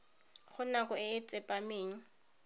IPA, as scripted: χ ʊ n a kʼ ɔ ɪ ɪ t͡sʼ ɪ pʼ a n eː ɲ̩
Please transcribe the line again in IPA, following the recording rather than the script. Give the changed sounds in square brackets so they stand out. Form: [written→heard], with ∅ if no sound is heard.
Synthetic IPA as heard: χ ʊ n a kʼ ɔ ɪ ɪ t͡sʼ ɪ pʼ a [n→m] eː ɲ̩